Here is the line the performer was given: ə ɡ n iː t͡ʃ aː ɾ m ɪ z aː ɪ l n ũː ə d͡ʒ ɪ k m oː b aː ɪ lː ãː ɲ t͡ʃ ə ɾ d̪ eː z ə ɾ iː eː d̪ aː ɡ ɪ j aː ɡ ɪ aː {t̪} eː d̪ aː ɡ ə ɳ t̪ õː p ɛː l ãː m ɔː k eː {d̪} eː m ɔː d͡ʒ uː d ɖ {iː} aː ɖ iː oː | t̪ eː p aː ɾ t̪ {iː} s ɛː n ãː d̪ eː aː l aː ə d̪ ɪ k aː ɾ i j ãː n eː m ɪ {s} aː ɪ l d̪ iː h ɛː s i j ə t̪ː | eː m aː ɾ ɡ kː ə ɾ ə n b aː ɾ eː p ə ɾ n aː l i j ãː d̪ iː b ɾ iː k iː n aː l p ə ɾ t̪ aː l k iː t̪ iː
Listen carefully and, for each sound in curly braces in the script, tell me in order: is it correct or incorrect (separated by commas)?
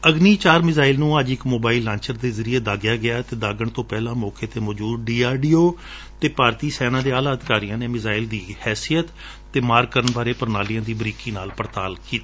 correct, incorrect, correct, correct, incorrect